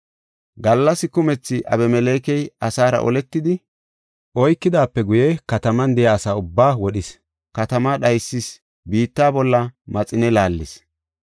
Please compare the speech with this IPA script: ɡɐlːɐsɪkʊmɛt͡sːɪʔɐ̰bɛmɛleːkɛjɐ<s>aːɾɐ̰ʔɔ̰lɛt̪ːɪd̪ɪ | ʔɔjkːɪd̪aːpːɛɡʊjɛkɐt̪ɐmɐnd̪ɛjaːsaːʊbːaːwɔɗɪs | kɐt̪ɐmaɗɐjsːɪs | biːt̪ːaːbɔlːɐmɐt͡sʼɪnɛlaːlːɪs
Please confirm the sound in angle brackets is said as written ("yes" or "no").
yes